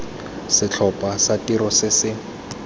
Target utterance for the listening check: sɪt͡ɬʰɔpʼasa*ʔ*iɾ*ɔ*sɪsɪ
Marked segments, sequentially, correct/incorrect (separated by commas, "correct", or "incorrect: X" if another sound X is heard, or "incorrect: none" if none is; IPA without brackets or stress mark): incorrect: t, correct